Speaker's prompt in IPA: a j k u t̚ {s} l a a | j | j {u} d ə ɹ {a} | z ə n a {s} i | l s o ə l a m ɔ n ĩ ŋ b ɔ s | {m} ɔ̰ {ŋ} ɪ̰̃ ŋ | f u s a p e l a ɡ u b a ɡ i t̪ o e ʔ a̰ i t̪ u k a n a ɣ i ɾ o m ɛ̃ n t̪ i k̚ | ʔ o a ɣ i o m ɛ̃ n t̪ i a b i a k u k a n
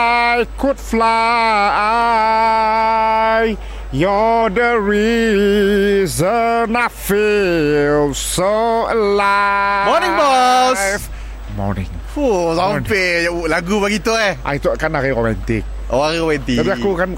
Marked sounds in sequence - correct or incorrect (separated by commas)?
incorrect, incorrect, incorrect, incorrect, correct, incorrect